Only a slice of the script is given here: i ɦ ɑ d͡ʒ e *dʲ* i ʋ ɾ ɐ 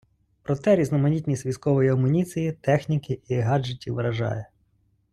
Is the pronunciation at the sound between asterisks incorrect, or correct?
incorrect